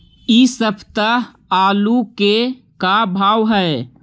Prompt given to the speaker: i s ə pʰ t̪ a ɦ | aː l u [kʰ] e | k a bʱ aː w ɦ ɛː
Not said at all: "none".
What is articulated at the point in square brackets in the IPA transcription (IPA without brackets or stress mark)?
k